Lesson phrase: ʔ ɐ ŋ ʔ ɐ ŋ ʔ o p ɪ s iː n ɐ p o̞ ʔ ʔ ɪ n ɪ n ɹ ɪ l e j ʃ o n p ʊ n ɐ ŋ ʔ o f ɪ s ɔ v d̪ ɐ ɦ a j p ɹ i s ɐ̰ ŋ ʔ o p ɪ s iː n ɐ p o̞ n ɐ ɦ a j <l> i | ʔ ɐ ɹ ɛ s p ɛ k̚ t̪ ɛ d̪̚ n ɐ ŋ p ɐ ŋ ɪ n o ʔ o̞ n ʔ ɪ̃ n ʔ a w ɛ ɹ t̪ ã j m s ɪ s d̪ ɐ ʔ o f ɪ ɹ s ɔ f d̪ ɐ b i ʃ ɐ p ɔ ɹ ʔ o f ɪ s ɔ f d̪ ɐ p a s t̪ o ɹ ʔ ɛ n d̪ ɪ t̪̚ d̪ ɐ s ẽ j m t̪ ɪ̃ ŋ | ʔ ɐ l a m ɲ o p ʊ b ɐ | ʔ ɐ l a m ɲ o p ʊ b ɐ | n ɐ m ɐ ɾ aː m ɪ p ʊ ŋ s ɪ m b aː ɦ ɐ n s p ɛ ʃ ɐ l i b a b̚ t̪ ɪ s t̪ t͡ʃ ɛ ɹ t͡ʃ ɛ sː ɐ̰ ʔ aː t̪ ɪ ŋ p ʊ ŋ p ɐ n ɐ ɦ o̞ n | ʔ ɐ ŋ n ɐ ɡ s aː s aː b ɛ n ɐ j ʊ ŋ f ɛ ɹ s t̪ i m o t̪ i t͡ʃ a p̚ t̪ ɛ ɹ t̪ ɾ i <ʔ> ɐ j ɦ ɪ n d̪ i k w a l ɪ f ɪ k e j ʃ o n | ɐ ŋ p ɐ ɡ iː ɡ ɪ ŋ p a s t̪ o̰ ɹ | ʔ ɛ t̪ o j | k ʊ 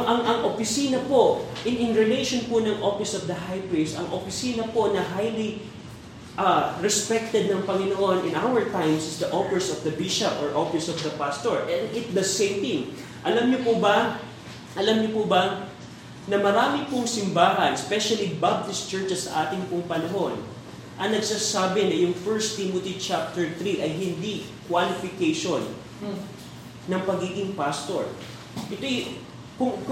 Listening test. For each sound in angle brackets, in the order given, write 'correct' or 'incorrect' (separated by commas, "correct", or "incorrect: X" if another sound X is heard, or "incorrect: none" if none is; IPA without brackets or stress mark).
correct, correct